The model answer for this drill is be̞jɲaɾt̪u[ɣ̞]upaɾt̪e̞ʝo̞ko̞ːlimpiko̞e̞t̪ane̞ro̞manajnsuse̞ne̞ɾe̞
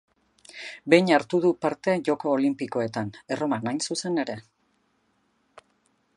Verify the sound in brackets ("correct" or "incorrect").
incorrect